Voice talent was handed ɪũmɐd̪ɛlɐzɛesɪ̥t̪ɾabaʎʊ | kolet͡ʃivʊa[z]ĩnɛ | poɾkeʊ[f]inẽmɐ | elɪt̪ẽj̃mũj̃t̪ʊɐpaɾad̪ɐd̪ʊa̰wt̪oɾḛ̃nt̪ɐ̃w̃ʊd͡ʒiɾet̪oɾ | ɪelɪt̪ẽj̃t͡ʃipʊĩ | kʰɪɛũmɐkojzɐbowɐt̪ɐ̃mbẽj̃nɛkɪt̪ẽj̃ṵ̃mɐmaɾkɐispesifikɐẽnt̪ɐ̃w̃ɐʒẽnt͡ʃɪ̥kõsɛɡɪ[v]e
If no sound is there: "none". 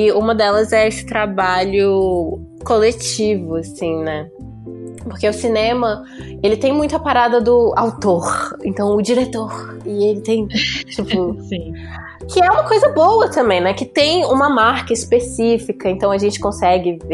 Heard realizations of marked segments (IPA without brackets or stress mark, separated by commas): s, s, v